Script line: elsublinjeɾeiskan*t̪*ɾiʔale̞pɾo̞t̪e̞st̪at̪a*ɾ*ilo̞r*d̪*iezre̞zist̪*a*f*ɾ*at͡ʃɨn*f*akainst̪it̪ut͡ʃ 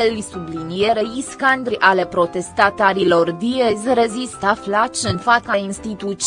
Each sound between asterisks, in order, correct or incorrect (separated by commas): incorrect, correct, correct, correct, incorrect, correct